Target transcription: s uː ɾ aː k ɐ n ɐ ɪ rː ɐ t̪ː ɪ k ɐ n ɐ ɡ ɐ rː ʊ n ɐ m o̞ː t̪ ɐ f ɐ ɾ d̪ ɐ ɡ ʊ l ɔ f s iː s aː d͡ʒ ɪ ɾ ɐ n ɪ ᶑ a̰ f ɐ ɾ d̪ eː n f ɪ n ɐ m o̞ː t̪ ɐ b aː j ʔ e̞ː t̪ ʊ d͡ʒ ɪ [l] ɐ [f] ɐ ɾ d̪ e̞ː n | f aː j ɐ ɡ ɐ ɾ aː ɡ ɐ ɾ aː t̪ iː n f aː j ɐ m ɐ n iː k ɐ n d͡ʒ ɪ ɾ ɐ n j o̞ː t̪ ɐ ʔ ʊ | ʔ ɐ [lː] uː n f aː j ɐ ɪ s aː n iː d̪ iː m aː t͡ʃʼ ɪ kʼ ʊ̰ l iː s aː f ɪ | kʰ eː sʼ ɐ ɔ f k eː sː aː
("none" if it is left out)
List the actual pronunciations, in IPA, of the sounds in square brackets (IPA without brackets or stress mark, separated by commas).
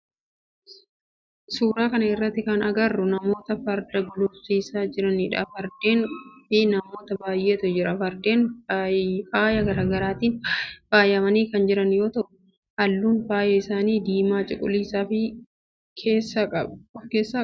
ɾ, f, lː